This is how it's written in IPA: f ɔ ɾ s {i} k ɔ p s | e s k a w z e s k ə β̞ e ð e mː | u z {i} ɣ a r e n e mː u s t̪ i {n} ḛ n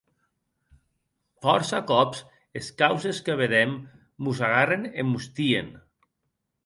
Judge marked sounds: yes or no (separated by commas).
no, no, no